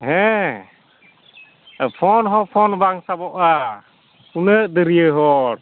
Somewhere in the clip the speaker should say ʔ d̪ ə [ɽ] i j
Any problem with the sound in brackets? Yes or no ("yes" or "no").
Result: yes